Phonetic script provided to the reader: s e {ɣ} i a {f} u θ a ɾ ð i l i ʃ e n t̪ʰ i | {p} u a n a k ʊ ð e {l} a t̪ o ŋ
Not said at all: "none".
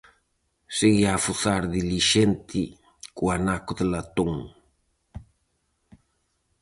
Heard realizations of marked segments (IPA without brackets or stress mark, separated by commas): ɣ, f, k, l